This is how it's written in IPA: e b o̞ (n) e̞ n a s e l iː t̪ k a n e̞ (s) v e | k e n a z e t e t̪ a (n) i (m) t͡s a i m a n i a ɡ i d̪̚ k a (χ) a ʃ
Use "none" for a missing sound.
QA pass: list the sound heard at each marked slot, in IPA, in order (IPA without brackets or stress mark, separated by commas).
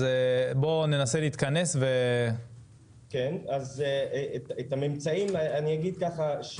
n, s, m, m, χ